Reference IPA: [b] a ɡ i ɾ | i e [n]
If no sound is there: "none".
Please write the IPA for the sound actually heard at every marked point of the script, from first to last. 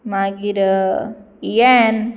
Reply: m, n

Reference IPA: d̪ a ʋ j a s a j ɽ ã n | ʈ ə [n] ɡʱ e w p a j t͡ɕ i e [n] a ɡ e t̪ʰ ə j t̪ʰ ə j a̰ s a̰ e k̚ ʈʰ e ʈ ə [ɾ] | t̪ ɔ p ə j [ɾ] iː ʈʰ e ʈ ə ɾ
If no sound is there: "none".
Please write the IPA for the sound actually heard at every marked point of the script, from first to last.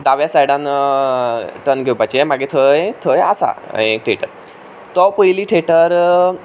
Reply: n, m, ɾ, l

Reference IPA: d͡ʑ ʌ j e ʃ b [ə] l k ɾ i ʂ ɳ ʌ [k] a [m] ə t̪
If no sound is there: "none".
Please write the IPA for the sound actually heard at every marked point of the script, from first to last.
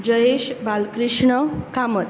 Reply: a, k, m

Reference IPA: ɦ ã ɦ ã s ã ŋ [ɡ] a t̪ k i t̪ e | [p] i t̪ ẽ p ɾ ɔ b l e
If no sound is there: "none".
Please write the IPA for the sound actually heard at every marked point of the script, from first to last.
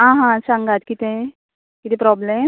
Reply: ɡ, k

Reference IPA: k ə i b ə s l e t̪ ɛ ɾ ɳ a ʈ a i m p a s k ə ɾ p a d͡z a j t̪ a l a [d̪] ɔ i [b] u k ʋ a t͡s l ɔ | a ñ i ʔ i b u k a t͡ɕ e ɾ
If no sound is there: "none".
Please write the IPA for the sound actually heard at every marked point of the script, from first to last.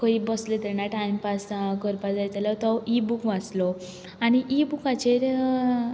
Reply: t̪, b

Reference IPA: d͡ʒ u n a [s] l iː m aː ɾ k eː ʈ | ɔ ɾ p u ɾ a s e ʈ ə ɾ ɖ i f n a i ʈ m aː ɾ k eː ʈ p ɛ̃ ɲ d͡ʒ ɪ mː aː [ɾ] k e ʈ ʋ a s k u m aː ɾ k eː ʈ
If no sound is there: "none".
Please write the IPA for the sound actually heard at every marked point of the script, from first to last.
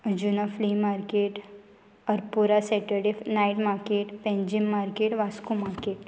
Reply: f, ɾ

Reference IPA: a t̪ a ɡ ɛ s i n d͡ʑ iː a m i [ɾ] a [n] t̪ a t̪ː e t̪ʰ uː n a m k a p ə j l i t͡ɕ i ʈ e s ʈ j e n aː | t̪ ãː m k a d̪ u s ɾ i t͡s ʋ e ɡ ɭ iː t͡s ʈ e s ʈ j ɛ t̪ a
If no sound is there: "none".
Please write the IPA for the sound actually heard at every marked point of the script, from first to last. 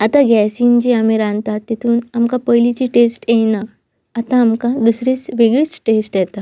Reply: ɾ, n

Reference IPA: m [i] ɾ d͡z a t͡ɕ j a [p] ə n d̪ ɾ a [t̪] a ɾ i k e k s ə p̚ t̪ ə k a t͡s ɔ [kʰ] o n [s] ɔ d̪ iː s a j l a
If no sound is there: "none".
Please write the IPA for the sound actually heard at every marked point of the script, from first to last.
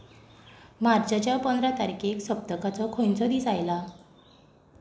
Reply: a, p, t̪, kʰ, t͡s

